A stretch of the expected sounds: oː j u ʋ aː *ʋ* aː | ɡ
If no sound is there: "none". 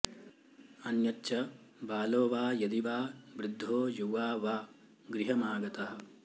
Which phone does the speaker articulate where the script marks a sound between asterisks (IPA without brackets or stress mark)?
ʋ